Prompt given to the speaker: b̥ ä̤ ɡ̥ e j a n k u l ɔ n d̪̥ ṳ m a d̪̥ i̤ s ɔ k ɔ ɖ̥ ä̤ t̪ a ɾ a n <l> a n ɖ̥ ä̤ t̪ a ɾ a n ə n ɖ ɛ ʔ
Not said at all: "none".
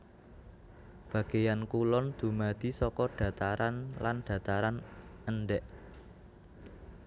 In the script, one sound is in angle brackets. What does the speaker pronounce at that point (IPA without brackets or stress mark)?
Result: l